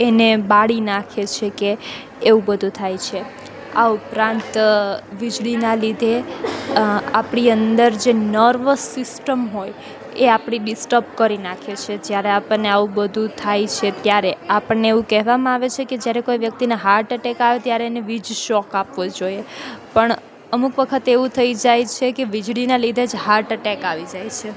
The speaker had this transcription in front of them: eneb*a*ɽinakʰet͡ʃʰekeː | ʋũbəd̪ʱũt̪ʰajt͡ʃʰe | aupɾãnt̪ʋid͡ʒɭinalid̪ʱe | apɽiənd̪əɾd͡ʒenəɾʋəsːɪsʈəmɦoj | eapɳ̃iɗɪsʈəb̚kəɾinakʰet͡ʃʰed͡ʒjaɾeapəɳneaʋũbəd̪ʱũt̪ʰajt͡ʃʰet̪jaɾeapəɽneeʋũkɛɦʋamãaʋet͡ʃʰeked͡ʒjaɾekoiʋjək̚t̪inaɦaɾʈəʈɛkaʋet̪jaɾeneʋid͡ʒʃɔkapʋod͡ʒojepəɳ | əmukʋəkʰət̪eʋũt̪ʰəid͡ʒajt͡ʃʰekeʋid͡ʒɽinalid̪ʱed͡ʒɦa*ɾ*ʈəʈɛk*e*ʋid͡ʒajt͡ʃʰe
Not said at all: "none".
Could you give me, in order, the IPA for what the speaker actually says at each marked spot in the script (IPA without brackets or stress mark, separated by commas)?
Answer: a, ɾ, a